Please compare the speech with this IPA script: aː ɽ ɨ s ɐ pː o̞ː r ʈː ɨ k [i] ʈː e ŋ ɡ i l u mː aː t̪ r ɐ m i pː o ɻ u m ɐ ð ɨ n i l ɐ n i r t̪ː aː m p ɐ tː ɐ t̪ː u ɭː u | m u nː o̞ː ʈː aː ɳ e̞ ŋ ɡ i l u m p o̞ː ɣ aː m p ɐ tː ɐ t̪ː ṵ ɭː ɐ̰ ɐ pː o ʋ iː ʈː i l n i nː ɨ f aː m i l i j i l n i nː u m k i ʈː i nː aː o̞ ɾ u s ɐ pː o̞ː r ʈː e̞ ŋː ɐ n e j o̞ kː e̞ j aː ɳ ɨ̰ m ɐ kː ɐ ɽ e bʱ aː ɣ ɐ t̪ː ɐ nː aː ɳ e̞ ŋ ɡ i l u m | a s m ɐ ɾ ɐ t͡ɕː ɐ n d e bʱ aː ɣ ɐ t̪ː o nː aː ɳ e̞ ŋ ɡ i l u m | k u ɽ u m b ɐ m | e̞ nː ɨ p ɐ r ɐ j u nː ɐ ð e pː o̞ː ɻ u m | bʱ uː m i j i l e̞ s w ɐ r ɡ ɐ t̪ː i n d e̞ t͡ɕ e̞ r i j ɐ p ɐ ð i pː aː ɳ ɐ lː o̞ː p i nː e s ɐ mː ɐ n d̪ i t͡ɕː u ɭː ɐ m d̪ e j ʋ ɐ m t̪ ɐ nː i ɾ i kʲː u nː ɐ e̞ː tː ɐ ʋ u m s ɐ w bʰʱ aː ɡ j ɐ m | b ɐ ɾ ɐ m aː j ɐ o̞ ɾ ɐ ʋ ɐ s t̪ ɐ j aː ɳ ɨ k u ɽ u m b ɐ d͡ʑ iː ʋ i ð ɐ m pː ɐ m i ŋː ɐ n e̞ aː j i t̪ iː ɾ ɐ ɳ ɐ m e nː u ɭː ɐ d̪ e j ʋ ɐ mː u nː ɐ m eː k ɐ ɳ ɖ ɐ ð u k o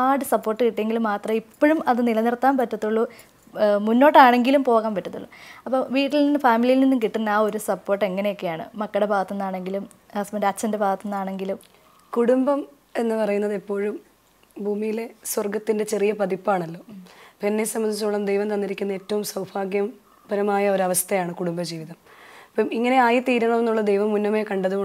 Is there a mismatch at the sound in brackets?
no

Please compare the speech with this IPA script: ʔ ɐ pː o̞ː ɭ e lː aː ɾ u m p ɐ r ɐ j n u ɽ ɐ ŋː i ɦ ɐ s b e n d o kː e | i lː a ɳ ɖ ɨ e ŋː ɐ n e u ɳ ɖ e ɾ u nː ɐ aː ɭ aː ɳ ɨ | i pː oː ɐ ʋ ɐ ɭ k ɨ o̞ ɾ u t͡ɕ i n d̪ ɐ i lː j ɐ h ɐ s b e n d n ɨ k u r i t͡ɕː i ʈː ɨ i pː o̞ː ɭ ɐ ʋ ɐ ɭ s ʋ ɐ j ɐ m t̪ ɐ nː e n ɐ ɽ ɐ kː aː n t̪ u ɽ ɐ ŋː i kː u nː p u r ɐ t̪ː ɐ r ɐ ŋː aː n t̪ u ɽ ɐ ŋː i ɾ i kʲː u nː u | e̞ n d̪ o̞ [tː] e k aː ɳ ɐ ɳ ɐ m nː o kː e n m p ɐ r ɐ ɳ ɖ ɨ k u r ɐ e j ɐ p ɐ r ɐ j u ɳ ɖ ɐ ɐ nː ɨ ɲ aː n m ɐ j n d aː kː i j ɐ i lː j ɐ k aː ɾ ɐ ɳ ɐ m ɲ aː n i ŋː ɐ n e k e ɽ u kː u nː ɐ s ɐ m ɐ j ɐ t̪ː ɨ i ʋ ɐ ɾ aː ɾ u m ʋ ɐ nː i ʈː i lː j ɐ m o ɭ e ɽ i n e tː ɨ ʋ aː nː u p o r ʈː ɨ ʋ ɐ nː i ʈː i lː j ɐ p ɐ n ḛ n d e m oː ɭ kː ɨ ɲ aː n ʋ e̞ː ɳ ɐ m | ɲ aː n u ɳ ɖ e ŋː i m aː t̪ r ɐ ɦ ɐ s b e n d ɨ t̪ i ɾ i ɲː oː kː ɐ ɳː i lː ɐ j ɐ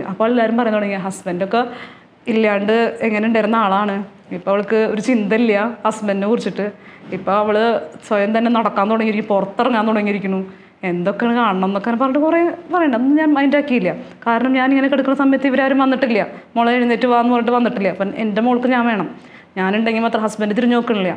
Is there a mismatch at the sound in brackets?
yes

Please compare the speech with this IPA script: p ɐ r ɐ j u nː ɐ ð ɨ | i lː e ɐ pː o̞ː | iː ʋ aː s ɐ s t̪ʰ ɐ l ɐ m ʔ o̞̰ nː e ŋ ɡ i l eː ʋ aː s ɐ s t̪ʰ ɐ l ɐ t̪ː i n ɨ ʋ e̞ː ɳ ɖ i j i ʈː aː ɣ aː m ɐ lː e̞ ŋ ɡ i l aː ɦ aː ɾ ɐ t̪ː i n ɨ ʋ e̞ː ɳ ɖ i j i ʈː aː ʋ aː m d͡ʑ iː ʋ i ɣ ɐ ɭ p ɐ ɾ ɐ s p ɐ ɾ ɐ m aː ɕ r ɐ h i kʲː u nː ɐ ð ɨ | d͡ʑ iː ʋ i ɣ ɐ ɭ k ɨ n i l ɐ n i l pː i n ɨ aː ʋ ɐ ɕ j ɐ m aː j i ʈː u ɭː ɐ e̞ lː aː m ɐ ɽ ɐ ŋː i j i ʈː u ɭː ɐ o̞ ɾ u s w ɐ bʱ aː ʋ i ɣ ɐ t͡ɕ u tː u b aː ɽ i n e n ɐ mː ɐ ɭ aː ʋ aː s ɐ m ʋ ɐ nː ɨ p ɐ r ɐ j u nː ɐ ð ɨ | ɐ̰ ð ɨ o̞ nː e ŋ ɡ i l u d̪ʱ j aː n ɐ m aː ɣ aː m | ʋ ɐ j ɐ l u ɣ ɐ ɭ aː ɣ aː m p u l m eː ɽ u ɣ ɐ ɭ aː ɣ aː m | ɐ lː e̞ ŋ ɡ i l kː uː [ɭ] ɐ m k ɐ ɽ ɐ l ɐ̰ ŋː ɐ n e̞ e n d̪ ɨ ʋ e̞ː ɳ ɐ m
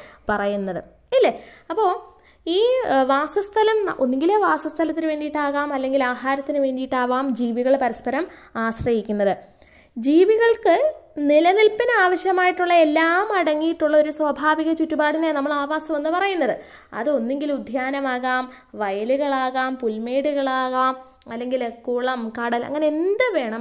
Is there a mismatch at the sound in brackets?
no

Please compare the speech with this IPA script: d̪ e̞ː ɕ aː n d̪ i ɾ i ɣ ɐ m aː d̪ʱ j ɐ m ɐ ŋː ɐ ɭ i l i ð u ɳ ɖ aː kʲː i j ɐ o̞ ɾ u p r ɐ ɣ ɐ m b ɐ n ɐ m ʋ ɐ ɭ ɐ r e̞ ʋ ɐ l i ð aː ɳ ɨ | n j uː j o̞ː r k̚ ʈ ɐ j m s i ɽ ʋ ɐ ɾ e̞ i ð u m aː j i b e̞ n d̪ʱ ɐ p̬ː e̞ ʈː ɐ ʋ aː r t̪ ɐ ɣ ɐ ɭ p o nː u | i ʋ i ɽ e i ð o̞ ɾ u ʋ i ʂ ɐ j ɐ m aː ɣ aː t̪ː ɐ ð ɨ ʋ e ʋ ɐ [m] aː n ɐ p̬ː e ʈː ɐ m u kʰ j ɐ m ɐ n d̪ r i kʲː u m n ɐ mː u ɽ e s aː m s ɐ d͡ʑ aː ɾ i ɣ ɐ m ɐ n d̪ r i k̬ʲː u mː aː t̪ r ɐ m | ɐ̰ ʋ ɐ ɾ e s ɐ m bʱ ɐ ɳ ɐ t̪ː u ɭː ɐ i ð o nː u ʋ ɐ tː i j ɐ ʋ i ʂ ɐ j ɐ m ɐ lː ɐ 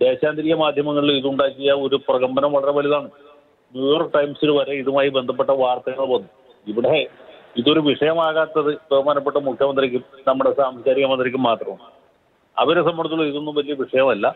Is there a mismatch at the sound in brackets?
no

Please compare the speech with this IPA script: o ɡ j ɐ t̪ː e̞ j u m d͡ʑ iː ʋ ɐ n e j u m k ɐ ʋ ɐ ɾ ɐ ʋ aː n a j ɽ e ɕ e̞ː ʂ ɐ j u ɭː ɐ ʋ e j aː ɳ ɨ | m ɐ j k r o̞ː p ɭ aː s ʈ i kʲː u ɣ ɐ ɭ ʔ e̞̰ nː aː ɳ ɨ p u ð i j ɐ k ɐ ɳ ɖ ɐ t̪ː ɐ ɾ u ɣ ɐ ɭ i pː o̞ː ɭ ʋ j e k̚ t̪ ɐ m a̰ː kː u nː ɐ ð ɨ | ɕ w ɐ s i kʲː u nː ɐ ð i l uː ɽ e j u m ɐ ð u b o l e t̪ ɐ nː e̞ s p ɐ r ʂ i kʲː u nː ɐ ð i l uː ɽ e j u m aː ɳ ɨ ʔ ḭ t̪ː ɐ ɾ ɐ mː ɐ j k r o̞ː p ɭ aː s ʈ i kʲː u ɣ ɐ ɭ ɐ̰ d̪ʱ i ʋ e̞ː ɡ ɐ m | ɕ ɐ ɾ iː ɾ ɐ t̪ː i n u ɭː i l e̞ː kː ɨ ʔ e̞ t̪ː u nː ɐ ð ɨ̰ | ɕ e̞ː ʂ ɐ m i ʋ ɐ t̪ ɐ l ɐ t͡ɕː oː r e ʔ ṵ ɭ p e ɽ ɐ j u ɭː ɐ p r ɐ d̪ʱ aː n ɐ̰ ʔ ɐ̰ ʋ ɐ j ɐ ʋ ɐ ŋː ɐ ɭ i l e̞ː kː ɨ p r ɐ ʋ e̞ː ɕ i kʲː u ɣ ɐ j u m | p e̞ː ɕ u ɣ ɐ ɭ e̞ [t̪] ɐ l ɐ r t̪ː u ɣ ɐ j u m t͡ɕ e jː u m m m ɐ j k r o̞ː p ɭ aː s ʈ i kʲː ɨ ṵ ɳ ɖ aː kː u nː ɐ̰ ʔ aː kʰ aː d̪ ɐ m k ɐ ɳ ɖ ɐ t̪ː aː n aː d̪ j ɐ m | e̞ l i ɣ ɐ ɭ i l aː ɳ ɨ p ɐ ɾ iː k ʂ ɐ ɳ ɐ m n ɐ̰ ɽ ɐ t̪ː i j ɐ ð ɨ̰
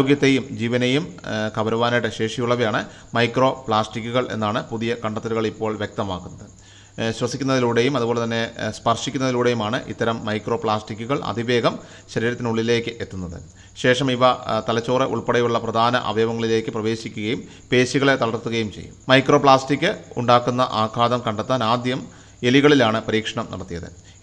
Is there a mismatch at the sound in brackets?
no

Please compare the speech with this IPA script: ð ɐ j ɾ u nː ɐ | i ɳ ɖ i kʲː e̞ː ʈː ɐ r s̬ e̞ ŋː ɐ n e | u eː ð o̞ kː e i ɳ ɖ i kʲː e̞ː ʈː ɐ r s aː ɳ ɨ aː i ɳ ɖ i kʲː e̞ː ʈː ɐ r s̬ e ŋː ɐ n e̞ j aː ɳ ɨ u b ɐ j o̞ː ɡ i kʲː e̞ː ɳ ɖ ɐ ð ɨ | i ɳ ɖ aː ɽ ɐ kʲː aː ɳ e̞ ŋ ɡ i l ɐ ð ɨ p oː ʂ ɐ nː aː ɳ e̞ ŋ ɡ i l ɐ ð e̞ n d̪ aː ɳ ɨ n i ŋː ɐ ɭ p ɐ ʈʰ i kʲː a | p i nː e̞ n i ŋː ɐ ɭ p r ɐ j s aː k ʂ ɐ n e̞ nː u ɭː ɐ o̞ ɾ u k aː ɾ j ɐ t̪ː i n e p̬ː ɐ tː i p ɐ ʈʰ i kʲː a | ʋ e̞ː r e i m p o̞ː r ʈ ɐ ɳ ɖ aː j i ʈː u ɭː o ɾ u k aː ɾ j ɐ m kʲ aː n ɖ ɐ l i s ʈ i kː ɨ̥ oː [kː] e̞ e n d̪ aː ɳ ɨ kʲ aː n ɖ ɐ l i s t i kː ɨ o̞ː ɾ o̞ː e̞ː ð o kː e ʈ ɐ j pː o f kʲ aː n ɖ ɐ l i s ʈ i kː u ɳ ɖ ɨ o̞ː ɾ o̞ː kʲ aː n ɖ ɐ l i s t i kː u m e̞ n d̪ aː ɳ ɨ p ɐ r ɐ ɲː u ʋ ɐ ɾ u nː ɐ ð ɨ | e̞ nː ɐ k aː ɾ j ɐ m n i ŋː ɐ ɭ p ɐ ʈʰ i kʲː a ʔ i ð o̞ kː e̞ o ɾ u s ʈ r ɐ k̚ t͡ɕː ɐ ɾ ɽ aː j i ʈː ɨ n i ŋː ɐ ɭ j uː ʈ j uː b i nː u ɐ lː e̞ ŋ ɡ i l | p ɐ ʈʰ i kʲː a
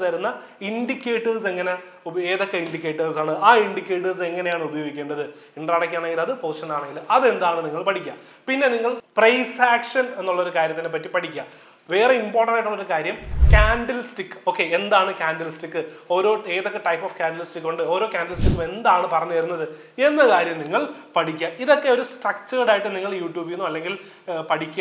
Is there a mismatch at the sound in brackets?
no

